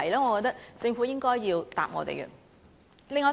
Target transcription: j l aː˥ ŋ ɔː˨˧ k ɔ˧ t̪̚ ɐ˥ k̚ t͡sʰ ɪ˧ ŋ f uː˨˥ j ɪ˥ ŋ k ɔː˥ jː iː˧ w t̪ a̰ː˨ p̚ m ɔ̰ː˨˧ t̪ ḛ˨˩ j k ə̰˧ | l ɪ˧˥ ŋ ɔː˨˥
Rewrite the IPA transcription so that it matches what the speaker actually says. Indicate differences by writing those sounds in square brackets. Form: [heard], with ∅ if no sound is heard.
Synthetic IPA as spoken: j l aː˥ ŋ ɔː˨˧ k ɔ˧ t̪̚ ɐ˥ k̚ [t͡s] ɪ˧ ŋ f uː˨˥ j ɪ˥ ŋ k ɔː˥ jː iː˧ w t̪ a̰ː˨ p̚ [ŋ] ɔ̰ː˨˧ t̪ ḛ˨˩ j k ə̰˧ | l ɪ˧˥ ŋ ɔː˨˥

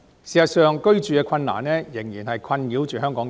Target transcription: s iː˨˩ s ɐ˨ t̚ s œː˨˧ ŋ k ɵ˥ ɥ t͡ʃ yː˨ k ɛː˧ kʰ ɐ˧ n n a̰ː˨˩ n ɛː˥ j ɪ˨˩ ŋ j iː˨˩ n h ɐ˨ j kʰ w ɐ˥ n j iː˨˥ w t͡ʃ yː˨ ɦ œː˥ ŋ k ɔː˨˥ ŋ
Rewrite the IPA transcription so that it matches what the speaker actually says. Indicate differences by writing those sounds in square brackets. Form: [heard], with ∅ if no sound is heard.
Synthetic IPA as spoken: s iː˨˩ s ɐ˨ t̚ s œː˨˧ ŋ k ɵ˥ ɥ t͡ʃ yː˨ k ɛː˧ kʰ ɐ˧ n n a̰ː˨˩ n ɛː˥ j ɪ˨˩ ŋ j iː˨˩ n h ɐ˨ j kʰ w [ɐ˧] n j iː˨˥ w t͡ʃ yː˨ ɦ œː˥ ŋ k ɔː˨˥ ŋ

